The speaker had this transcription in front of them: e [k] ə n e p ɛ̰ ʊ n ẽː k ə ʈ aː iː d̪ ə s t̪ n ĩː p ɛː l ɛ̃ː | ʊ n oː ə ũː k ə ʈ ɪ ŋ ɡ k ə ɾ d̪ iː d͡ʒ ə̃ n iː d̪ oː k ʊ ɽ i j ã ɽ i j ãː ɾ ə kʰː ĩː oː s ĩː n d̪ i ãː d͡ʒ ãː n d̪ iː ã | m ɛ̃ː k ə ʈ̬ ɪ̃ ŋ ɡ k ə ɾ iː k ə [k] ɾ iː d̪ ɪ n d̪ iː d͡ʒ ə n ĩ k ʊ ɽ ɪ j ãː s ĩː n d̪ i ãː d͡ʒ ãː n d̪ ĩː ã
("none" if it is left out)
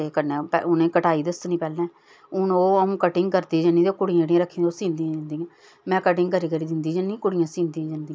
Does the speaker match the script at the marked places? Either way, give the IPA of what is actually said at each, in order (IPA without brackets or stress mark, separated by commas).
k, none